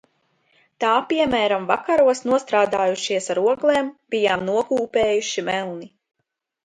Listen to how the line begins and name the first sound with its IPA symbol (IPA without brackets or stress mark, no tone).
t̪